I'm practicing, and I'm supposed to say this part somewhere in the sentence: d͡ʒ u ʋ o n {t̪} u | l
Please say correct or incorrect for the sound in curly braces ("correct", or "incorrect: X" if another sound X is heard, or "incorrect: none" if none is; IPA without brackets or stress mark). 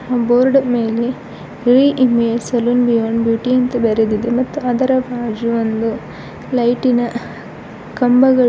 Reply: incorrect: d̪